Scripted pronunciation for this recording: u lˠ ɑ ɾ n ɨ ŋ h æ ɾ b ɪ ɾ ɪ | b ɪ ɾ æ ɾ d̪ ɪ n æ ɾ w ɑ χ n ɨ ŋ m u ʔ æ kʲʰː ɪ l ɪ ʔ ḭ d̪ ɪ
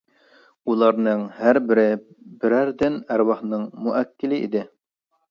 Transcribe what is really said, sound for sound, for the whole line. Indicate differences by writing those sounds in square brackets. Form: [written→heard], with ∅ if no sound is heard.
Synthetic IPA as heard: u lˠ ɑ ɾ n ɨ ŋ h æ ɾ b ɪ ɾ ɪ | b ɪ ɾ æ ɾ d̪ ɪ n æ ɾ w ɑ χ n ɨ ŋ m u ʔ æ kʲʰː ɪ l ɪ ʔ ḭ d̪ ɪ

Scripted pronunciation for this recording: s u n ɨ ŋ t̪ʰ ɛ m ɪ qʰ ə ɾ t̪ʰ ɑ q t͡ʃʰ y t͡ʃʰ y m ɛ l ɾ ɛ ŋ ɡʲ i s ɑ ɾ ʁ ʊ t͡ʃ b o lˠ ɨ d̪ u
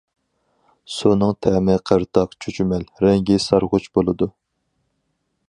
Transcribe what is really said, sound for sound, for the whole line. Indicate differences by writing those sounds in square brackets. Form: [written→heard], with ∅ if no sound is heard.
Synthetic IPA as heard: s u n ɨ ŋ t̪ʰ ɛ m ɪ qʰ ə ɾ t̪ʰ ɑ q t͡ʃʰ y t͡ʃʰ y m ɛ l ɾ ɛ ŋ ɡʲ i s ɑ ɾ ʁ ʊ t͡ʃ b o lˠ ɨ d̪ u

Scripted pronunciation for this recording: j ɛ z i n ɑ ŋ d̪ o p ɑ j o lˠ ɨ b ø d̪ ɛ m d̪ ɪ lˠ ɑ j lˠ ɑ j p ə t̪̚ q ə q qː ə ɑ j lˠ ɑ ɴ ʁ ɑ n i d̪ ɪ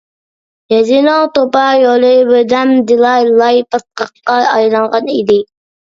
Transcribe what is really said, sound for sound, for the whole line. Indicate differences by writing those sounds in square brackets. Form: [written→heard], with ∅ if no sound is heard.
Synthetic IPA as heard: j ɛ z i n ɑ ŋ [d̪→t̪] o p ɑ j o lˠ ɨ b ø d̪ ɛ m d̪ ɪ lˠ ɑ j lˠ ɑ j p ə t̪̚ q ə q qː [ə→ɑ] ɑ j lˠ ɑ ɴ ʁ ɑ n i d̪ ɪ

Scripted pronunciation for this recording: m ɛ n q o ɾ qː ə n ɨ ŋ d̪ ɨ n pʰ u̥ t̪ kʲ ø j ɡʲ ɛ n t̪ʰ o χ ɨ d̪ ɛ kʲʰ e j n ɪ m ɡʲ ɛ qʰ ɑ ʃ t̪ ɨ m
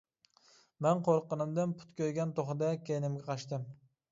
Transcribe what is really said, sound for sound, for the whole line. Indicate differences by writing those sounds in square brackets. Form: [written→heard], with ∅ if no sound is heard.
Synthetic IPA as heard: m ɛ n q o ɾ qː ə n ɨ [ŋ→m] d̪ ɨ n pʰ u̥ t̪ kʲ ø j ɡʲ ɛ n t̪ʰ o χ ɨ d̪ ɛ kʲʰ e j n ɪ m ɡʲ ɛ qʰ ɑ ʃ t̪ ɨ m

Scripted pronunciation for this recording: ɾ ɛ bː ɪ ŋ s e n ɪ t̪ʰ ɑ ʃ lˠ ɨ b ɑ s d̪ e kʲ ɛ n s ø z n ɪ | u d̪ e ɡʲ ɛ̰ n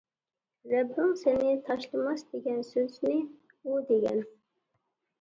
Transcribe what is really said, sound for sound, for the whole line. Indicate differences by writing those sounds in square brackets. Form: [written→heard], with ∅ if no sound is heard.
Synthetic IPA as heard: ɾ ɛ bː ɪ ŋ s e n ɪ t̪ʰ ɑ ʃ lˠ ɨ [b→m] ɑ s d̪ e [kʲ→ɡʲ] ɛ n s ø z n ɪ | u d̪ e ɡʲ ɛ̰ n

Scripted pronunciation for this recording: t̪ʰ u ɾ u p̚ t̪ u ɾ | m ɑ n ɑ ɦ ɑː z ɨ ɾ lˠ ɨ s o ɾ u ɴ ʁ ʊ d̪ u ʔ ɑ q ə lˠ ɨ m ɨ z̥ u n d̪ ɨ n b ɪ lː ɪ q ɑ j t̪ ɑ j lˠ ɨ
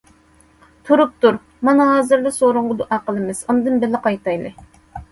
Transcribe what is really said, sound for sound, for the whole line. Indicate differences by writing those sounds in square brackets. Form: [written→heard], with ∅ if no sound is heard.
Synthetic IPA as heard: t̪ʰ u ɾ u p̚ t̪ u ɾ | m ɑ n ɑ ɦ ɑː z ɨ ɾ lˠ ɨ s o ɾ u ɴ ʁ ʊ d̪ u ʔ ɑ q ə lˠ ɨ m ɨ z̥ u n d̪ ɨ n b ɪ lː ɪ q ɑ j t̪ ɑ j lˠ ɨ

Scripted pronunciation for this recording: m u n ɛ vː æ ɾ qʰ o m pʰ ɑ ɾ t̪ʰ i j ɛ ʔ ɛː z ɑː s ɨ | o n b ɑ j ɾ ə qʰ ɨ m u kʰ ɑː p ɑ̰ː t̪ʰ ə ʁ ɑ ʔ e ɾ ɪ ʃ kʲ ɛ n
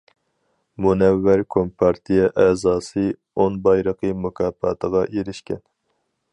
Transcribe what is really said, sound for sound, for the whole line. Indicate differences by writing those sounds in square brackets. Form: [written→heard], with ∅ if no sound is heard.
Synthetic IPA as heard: m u n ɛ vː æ ɾ [qʰ→kʰ] o m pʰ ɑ ɾ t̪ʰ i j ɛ ʔ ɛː z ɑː s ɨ | o n b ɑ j ɾ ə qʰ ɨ m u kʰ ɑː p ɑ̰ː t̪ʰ ə ʁ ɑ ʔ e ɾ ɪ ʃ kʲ ɛ n

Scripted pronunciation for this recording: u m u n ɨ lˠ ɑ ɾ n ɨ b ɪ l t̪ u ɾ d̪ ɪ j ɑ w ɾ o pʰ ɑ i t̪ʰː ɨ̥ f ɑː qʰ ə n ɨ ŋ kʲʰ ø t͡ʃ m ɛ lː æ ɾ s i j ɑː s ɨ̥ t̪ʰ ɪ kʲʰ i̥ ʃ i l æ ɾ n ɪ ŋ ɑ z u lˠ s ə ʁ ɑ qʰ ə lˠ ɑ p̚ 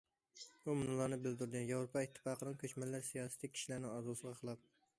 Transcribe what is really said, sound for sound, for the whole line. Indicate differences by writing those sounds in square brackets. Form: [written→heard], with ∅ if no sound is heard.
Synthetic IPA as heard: u m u n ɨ lˠ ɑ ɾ n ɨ b ɪ l [t̪→d̪] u ɾ d̪ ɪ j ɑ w ɾ o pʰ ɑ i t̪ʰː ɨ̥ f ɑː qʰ ə n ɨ ŋ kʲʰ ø t͡ʃ m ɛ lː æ ɾ s i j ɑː s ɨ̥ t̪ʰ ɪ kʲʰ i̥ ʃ i l æ ɾ n ɪ ŋ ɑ z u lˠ s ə ʁ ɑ qʰ ə lˠ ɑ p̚

